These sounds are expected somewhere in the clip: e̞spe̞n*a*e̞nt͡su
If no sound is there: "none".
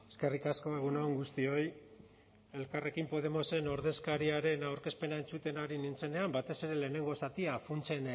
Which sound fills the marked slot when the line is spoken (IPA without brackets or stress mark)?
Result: a